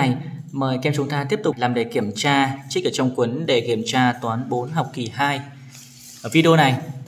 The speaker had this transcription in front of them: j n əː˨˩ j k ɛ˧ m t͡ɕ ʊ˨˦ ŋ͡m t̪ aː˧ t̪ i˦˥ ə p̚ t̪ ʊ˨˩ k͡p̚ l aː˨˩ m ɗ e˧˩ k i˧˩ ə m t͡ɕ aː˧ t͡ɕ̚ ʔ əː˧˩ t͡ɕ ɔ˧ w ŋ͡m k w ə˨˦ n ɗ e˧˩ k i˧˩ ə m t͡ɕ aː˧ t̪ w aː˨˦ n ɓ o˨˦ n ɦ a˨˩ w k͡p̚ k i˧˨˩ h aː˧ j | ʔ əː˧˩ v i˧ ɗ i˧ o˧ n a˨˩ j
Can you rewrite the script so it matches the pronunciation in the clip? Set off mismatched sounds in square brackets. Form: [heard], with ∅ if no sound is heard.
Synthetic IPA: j [m] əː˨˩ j k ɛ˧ m t͡ɕ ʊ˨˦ ŋ͡m t̪ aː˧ t̪ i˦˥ ə p̚ t̪ ʊ˨˩ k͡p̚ l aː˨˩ m ɗ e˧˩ k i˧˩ ə m t͡ɕ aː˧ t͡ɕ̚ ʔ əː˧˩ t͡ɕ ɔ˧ w ŋ͡m k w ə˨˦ n ɗ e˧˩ k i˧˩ ə m t͡ɕ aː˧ t̪ w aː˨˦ n ɓ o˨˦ n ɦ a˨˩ w k͡p̚ k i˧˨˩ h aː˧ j | ʔ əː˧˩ v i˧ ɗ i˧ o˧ n a˨˩ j